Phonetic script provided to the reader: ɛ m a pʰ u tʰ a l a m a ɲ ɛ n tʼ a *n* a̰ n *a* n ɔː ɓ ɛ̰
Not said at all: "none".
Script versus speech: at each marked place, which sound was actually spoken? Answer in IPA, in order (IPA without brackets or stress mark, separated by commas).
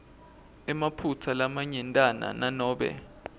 n, a